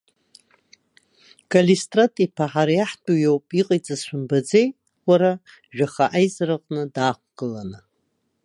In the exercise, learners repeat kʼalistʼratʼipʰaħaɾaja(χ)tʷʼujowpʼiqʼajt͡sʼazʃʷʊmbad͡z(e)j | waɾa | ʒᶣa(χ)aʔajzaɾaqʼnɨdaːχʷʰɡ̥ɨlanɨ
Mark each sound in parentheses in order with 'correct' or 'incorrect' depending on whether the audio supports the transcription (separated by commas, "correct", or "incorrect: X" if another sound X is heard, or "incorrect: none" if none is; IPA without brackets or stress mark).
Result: incorrect: ħ, correct, correct